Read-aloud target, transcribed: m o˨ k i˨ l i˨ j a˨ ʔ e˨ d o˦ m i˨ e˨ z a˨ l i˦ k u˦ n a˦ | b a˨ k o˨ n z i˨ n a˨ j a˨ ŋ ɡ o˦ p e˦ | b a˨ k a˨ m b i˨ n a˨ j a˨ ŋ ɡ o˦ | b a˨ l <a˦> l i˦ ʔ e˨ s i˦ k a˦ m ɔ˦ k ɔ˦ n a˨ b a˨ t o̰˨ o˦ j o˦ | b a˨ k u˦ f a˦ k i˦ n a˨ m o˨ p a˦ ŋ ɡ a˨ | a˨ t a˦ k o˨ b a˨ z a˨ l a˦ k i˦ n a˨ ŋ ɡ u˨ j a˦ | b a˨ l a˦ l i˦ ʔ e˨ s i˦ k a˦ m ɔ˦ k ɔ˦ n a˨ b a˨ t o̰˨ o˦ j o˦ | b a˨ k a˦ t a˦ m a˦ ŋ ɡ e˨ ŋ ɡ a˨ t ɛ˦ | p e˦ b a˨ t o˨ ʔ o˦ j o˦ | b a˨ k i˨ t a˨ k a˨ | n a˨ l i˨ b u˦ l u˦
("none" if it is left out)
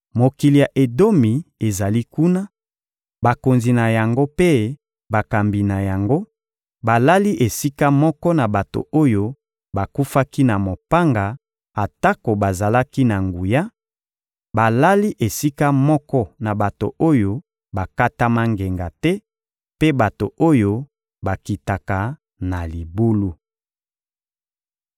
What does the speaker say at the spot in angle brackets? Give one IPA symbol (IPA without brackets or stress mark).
a˦